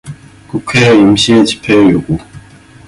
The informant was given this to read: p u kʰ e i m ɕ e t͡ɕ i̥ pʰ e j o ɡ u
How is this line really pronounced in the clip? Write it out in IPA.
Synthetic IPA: k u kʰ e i m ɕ i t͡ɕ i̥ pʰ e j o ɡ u